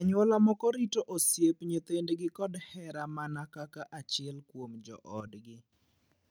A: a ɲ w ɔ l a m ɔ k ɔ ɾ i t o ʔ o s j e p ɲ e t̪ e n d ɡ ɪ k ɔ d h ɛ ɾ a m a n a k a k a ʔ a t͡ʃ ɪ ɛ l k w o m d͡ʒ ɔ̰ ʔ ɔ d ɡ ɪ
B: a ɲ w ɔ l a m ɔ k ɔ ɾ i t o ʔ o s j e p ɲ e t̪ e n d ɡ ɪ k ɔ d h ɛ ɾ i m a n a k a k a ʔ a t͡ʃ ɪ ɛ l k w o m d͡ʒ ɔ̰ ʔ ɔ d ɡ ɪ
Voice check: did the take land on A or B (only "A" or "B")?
A